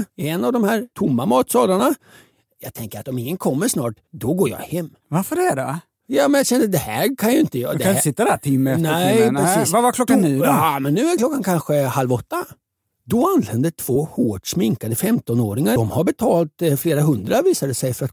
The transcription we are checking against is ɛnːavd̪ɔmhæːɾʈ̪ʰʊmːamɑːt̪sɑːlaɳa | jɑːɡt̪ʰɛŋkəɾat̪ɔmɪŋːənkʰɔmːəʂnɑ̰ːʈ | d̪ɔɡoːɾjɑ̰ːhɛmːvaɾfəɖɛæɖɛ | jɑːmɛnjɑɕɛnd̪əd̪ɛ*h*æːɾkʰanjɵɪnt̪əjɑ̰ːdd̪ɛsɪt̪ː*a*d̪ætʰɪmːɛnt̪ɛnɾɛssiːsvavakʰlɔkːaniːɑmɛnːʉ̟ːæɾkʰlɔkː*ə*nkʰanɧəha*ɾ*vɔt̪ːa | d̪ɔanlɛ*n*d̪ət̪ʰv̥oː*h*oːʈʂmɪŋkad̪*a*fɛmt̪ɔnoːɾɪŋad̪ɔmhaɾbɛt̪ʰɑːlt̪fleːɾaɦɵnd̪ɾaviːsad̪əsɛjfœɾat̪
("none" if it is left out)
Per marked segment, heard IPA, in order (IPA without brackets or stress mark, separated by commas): h, a, a, l, n, h, ə